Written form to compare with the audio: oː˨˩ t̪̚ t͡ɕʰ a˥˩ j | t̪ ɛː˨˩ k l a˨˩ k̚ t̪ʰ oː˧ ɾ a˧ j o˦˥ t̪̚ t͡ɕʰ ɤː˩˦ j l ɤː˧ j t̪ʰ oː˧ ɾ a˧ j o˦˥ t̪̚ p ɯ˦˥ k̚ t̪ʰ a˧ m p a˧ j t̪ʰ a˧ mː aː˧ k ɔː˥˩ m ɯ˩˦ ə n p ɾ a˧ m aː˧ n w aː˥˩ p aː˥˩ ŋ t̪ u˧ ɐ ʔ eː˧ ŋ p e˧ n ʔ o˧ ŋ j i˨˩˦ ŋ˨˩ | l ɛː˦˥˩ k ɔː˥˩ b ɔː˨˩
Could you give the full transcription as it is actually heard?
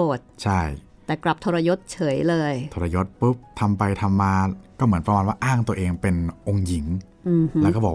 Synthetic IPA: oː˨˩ t̪̚ t͡ɕʰ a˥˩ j | t̪ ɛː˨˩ k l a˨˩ p̚ t̪ʰ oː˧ ɾ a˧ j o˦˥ t̪̚ t͡ɕʰ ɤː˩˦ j l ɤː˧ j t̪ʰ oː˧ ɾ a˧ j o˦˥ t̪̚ p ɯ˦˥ p̚ t̪ʰ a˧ m p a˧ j t̪ʰ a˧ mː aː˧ k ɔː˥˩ m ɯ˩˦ ə n p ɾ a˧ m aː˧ n w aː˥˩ ʔ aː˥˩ ŋ t̪ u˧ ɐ ʔ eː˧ ŋ p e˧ n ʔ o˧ ŋ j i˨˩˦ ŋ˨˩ | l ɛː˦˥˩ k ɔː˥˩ b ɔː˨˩